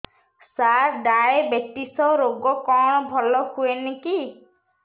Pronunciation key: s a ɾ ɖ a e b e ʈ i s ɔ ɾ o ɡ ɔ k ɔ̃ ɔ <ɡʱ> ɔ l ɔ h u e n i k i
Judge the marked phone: incorrect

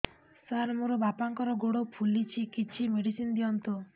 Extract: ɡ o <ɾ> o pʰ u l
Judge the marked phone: incorrect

